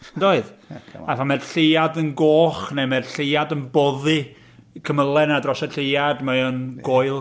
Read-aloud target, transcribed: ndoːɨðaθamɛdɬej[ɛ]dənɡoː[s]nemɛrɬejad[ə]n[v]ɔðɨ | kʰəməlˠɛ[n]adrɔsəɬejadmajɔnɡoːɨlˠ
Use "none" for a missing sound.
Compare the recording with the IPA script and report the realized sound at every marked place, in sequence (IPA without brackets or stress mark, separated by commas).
a, χ, ə, b, n